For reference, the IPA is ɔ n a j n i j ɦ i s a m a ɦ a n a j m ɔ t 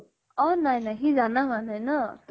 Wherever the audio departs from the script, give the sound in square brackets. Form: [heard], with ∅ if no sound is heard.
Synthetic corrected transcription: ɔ n a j n [a] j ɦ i [z] a [n] a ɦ a n a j [n] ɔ t